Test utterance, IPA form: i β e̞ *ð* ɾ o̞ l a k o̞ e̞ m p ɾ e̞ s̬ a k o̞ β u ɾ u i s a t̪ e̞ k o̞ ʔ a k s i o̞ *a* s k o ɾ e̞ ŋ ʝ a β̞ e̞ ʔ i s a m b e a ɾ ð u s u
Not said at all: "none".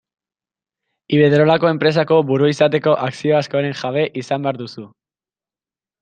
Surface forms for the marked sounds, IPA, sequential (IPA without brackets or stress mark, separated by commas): ð, a